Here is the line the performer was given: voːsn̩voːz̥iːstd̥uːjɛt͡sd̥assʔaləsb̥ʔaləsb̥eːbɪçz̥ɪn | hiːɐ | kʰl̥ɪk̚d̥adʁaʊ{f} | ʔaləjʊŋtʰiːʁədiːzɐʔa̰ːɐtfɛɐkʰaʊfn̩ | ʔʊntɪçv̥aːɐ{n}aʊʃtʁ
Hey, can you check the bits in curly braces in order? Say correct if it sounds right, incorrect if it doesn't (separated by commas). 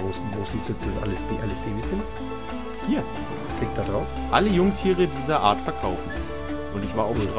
correct, incorrect